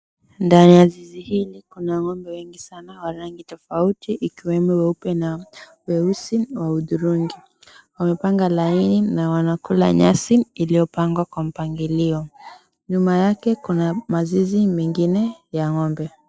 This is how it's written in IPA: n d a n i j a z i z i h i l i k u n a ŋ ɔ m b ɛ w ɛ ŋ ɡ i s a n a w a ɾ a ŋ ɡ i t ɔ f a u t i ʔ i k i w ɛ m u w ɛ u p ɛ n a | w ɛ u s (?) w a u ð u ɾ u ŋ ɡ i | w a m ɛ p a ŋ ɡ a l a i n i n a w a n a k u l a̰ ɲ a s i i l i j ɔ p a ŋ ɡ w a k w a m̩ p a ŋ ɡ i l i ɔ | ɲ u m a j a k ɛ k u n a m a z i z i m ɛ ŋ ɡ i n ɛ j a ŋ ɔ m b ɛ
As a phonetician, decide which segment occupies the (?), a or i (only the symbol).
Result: i